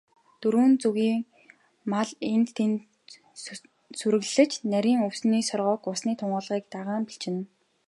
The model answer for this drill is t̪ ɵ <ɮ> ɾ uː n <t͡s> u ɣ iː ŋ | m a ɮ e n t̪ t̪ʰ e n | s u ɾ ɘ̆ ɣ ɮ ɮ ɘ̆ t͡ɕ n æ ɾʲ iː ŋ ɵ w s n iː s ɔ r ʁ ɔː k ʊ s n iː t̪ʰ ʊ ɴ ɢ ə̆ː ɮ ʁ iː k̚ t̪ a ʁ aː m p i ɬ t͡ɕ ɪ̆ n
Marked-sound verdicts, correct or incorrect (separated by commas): incorrect, correct